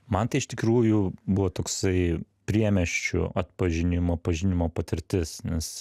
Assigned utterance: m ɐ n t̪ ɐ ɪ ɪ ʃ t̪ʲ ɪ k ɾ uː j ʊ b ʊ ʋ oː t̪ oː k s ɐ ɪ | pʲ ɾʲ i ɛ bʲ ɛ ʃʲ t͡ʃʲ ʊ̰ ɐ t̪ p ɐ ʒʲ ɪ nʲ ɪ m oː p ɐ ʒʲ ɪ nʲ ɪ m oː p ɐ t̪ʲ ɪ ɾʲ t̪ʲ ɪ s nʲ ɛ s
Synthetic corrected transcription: m ɐ n t̪ ɐ ɪ ɪ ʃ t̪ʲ ɪ k ɾ uː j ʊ b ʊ ʋ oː t̪ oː k s ɐ ɪ | pʲ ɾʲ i ɛ mʲ ɛ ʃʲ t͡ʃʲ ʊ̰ ɐ t̪ p ɐ ʒʲ ɪ nʲ ɪ m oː p ɐ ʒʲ ɪ nʲ ɪ m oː p ɐ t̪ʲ ɪ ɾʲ t̪ʲ ɪ s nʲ ɛ s